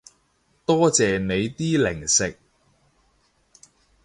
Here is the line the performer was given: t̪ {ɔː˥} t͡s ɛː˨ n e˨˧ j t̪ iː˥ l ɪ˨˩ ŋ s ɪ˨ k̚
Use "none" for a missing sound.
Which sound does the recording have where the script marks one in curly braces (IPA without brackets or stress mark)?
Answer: ɔː˥